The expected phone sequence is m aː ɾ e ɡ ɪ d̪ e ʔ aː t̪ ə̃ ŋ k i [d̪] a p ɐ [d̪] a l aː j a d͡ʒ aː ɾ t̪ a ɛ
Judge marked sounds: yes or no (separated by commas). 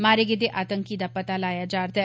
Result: yes, no